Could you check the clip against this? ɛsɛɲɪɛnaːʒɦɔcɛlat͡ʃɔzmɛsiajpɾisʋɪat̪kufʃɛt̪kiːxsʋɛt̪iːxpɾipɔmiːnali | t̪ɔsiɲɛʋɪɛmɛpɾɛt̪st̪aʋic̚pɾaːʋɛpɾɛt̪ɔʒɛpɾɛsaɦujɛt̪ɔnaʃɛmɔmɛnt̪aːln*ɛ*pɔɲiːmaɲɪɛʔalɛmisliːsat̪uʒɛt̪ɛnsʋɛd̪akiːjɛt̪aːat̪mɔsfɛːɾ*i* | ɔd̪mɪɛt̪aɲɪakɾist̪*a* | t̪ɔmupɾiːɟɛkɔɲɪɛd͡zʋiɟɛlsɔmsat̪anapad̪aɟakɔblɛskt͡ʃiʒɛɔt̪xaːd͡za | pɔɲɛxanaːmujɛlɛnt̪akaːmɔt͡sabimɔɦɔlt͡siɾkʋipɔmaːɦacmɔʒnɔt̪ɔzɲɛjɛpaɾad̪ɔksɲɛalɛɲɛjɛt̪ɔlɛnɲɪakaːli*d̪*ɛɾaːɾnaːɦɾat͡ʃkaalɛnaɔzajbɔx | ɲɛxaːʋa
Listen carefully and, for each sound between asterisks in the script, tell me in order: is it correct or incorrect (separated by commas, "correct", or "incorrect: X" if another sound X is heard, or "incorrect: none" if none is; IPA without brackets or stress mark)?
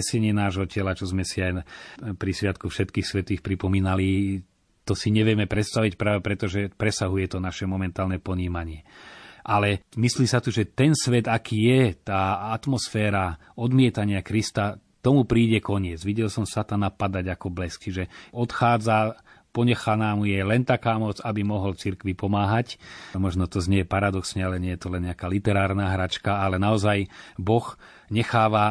correct, incorrect: a, correct, incorrect: t̪